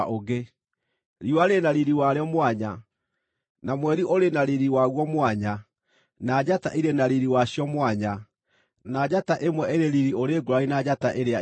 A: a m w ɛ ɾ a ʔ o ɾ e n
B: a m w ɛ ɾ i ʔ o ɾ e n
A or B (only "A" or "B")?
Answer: B